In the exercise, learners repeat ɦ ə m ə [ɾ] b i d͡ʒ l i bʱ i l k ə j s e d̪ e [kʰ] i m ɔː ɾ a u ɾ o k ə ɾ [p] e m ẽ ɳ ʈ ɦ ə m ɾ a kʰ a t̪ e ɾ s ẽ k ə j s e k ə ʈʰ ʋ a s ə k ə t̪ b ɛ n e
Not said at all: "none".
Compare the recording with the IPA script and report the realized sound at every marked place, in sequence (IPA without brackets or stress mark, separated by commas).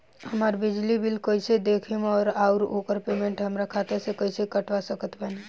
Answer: ɾ, kʰ, p